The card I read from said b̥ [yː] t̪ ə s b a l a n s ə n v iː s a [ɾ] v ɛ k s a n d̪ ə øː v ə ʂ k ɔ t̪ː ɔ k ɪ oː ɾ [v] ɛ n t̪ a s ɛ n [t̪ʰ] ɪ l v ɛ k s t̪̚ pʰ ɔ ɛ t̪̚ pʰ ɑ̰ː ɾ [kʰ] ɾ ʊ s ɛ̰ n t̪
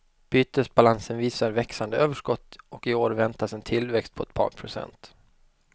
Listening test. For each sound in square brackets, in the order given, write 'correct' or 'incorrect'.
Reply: correct, correct, correct, correct, incorrect: pʰ

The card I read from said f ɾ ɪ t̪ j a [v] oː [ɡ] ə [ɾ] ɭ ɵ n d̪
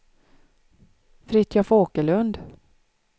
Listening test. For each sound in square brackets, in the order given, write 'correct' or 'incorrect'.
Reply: incorrect: f, incorrect: k, incorrect: none

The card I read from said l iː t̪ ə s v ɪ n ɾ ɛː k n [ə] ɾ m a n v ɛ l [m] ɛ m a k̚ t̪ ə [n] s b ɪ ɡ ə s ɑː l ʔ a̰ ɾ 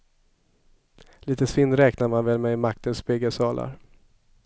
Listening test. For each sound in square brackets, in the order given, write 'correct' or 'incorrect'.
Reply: incorrect: a, correct, correct

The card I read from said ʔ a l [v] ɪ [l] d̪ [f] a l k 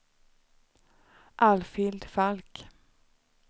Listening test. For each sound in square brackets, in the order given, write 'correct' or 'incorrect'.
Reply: incorrect: f, correct, correct

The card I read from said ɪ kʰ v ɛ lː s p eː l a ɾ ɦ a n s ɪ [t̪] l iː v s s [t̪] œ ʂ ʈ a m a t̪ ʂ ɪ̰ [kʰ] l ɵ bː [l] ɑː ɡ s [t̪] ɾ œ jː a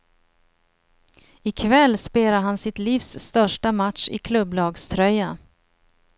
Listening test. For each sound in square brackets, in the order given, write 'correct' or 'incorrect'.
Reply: correct, correct, correct, correct, incorrect: t̪ʰ

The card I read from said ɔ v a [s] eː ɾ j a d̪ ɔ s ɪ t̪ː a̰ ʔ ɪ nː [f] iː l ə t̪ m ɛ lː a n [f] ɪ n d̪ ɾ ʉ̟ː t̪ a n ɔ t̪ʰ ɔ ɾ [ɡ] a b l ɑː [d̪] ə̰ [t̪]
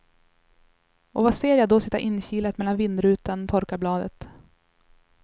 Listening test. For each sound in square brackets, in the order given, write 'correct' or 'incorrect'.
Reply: correct, incorrect: ɕ, incorrect: v, incorrect: k, correct, correct

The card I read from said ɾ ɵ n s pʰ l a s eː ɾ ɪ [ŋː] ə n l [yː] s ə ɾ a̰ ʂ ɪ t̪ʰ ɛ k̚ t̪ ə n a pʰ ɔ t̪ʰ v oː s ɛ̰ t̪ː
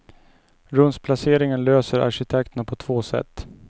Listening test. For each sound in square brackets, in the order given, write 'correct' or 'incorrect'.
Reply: incorrect: ŋ, incorrect: øː

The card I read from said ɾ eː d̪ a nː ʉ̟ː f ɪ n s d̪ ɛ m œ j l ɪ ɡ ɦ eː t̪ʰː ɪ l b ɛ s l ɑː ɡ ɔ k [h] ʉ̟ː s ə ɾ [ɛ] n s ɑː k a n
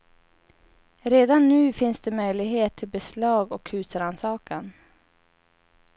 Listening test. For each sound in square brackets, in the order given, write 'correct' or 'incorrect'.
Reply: correct, incorrect: a

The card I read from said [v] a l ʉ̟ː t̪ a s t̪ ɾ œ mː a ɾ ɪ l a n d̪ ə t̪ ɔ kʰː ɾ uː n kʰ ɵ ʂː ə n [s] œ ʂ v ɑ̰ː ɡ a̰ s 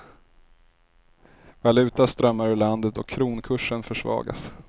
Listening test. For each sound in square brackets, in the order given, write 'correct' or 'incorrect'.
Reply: correct, incorrect: f

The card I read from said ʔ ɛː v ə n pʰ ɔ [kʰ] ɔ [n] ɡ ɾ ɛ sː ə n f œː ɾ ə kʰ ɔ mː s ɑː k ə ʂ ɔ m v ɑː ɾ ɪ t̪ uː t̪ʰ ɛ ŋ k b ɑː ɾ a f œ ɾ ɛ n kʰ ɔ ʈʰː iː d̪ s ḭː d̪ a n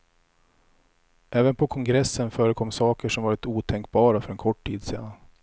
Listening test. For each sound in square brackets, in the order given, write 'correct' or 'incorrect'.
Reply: correct, incorrect: ŋ

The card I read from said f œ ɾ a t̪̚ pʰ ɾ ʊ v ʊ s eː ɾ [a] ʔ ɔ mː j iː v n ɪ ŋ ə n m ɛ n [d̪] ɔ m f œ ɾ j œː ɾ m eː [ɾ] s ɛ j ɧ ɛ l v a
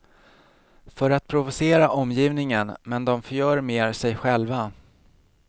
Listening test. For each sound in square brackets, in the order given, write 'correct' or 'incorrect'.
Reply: correct, correct, correct

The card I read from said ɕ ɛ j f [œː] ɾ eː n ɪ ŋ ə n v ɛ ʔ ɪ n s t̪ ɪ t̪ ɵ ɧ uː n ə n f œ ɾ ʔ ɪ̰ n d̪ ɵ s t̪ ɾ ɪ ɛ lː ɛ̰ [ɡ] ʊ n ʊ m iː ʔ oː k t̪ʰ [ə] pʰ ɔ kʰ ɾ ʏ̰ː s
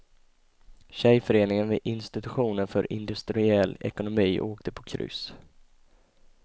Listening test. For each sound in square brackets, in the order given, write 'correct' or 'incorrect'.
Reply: incorrect: œ, incorrect: k, correct

